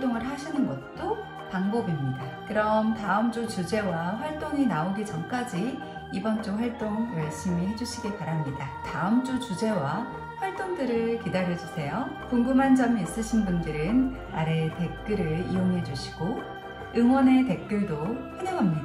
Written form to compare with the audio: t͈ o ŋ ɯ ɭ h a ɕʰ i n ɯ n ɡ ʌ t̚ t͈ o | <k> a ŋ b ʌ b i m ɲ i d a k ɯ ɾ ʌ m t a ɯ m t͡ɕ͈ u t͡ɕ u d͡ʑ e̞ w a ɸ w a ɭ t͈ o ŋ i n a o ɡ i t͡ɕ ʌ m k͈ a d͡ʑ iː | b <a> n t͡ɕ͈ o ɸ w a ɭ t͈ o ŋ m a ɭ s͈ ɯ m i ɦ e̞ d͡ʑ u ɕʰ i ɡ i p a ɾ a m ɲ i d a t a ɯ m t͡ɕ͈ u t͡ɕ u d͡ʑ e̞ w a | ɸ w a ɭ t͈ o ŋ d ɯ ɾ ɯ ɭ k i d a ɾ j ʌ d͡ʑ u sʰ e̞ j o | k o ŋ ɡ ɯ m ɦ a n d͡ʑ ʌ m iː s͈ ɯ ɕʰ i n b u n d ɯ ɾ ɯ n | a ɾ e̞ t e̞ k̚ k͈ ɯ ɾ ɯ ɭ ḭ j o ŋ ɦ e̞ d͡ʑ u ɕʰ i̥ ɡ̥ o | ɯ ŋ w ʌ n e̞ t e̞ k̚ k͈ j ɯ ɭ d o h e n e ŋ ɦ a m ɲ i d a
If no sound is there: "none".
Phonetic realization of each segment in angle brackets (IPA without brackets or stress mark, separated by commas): p, ʌ